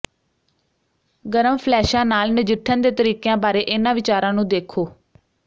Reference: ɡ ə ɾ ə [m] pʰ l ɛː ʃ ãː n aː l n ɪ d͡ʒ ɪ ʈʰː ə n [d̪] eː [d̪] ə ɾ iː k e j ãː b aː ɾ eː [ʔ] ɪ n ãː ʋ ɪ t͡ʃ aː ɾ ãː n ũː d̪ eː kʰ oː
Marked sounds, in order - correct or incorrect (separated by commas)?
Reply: correct, correct, incorrect, correct